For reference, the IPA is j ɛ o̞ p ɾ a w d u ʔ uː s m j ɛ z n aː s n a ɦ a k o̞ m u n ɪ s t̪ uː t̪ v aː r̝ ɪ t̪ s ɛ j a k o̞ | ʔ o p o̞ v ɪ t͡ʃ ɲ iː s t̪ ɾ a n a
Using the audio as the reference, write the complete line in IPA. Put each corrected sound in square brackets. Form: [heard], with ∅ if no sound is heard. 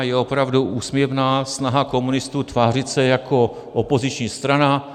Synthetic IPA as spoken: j ɛ o̞ p ɾ a [v] d u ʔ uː s m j ɛ [v] n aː s n a ɦ a k o̞ m u n ɪ s t̪ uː t̪ v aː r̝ ɪ t̪ s ɛ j a k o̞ | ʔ o p o̞ [z] ɪ t͡ʃ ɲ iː s t̪ ɾ a n a